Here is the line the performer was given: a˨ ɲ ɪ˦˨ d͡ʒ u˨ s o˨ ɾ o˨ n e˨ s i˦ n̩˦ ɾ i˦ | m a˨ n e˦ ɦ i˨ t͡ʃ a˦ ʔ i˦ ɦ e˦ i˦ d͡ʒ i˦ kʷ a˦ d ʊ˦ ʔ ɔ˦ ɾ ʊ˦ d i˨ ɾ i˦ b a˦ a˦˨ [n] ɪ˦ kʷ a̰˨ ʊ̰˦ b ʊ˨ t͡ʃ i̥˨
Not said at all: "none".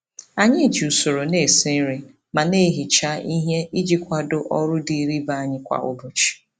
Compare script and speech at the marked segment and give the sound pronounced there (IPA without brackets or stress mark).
ɲ